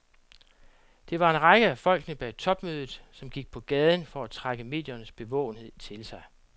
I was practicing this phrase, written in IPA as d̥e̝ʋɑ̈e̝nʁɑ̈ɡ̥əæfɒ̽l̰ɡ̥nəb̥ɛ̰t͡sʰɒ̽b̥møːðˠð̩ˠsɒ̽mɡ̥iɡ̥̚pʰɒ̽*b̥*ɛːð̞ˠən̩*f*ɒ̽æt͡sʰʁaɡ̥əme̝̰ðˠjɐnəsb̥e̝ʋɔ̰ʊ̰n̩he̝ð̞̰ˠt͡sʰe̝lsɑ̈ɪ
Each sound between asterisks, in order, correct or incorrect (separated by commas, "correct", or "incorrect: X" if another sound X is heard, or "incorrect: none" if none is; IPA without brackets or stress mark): incorrect: ɡ̥, correct